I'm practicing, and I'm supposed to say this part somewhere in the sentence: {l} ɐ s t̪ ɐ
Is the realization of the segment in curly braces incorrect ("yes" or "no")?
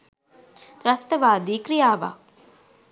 yes